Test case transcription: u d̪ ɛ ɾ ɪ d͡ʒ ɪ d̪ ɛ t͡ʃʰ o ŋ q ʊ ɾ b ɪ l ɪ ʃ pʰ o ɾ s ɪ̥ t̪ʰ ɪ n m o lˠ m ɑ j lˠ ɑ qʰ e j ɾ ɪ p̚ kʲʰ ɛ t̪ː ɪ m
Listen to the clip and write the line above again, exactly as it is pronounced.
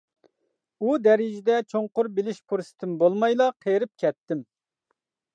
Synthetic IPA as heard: u d̪ ɛ ɾ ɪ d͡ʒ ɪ d̪ ɛ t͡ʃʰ o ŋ q ʊ ɾ b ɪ l ɪ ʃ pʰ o ɾ s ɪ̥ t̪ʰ ɪ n b o lˠ m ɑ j lˠ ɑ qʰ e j ɾ ɪ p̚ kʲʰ ɛ t̪ː ɪ m